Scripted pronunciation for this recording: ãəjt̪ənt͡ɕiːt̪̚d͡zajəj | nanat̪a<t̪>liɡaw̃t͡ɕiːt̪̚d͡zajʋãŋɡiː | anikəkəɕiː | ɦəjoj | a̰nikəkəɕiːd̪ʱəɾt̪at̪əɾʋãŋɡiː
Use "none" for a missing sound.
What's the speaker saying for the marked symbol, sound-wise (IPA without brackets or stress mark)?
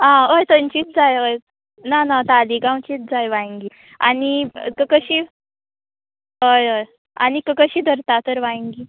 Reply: none